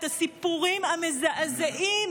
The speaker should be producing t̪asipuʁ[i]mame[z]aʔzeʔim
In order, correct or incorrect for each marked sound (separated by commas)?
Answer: correct, correct